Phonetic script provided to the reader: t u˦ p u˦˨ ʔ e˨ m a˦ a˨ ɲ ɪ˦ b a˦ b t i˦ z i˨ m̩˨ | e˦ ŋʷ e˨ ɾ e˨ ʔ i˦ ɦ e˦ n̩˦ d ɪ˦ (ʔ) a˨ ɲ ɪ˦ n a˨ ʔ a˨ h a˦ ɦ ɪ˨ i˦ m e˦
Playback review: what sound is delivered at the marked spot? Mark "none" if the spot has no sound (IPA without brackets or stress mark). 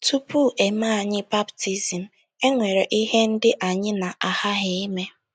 ʔ